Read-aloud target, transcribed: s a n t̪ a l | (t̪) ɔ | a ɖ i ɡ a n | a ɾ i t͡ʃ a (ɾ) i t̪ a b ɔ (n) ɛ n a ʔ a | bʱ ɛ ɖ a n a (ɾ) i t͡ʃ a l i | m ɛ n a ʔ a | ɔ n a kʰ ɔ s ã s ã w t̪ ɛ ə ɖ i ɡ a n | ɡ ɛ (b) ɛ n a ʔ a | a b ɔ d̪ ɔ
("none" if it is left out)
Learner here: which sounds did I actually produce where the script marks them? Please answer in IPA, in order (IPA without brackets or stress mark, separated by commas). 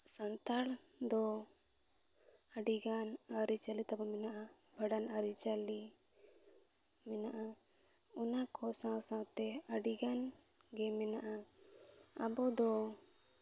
d̪, l, m, ɾ, m